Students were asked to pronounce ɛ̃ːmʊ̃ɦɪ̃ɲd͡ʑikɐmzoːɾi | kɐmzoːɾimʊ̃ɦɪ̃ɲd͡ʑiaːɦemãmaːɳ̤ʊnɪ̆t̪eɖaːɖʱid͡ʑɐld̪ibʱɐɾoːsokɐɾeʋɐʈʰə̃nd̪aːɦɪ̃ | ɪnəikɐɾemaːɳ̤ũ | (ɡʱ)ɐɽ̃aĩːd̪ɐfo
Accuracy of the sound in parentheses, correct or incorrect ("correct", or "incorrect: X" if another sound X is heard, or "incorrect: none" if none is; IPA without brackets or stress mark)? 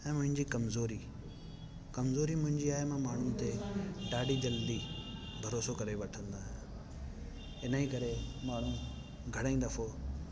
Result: correct